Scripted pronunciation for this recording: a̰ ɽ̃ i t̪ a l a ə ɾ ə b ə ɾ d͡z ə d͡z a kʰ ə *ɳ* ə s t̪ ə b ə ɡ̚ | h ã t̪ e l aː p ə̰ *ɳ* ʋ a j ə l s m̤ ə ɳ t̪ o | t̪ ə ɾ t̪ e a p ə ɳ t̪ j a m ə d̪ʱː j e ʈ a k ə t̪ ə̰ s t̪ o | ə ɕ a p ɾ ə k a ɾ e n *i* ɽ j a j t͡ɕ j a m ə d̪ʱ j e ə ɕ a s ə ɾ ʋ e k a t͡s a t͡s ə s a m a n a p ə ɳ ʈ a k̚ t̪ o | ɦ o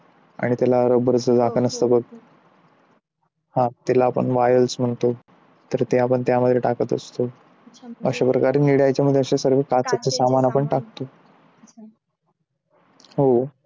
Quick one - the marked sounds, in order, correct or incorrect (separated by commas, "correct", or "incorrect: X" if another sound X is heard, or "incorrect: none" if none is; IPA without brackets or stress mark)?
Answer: incorrect: n, correct, correct